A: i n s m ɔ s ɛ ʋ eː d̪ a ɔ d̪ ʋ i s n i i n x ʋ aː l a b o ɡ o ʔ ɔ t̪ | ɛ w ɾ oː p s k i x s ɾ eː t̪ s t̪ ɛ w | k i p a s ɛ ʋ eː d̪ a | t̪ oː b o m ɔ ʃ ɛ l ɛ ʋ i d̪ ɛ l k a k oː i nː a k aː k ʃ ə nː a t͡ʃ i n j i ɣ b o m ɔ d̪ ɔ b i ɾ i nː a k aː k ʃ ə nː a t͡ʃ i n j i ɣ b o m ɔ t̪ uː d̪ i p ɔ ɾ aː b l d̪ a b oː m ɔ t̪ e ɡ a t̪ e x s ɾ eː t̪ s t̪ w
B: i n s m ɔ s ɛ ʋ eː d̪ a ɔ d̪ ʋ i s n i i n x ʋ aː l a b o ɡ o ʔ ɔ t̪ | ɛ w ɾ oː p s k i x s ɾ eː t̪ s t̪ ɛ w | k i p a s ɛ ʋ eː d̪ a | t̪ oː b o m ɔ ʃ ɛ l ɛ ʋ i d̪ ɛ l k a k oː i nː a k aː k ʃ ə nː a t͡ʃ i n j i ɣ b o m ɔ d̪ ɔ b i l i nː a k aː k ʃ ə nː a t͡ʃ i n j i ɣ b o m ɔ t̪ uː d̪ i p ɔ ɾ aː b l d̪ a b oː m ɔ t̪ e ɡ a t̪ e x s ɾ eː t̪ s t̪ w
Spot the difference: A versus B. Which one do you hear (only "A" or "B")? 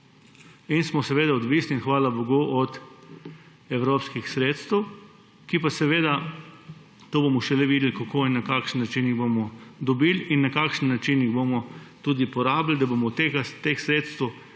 B